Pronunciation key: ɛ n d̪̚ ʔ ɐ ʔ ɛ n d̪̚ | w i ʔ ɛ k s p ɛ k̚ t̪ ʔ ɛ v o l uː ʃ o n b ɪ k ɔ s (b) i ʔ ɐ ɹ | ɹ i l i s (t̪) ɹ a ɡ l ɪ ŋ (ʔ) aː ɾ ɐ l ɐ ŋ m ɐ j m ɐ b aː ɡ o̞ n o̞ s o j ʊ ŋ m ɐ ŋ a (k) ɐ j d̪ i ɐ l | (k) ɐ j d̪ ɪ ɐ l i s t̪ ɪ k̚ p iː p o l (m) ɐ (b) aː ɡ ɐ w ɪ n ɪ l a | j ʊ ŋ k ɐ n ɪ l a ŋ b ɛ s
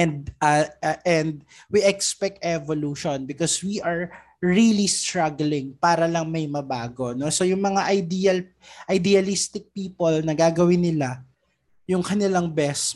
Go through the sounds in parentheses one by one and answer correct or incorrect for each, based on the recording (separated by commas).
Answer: incorrect, correct, incorrect, incorrect, incorrect, incorrect, incorrect